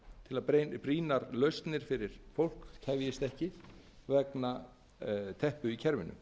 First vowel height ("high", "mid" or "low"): high